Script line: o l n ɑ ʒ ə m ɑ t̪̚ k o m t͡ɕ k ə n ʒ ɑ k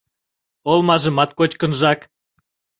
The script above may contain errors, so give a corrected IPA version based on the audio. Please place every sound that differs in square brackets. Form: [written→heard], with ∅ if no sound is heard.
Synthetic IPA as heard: o l [n→m] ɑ ʒ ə m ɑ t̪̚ k o [m→∅] t͡ɕ k ə n ʒ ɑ k